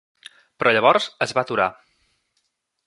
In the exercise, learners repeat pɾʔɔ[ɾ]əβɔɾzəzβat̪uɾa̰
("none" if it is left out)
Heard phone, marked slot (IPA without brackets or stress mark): ʎ